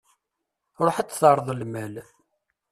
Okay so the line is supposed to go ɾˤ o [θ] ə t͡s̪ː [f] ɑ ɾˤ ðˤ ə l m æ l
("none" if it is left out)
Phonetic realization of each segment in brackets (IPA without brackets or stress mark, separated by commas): ħ, θ